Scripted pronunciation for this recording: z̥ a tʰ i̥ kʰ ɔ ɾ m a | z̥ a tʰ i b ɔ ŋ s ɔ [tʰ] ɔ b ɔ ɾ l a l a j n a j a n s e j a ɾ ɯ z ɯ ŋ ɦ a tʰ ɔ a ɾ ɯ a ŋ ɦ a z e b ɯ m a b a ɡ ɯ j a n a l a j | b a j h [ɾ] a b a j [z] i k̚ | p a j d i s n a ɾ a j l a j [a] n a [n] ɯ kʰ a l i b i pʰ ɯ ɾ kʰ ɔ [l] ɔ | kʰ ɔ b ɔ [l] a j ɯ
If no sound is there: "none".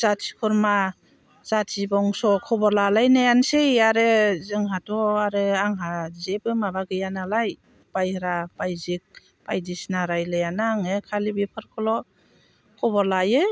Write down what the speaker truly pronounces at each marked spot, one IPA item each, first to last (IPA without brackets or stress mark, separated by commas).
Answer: kʰ, ɾ, z, a, ŋ, l, l